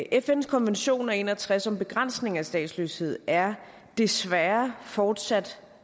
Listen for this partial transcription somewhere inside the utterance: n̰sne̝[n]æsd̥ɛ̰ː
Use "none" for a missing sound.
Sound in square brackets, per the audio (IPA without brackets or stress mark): ŋ